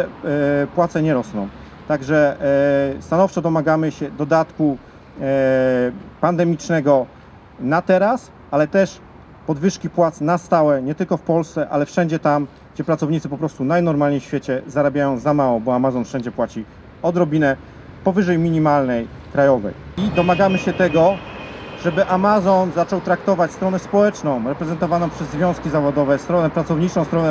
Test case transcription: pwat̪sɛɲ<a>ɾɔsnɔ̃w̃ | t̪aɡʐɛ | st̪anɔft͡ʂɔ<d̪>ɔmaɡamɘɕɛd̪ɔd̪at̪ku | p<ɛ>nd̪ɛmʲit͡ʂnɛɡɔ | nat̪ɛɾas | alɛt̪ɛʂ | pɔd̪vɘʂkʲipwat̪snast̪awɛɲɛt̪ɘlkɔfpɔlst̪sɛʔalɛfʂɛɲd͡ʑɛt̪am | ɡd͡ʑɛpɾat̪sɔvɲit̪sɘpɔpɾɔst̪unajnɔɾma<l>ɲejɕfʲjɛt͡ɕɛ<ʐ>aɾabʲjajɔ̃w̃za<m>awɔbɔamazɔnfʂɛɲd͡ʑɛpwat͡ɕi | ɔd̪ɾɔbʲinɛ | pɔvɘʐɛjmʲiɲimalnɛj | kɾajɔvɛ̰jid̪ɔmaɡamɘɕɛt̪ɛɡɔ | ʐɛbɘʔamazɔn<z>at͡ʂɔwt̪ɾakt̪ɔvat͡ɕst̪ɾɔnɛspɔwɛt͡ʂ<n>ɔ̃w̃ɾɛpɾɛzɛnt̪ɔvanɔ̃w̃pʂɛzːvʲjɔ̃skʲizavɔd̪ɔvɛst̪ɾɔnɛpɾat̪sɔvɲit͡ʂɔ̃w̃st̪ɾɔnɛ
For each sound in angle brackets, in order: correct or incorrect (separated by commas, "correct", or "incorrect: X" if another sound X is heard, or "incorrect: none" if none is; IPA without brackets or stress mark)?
incorrect: ɛ, correct, incorrect: a, correct, incorrect: z, correct, correct, correct